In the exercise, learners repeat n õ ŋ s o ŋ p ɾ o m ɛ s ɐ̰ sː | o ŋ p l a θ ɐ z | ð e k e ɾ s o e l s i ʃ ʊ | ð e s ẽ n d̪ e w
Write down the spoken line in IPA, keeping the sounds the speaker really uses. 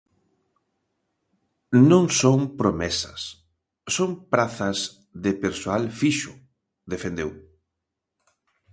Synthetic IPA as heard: n õ ŋ s o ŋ p ɾ o m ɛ s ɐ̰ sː | o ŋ p ɾ a θ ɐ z | ð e p e ɾ s o a l f i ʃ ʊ | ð e f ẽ n d̪ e w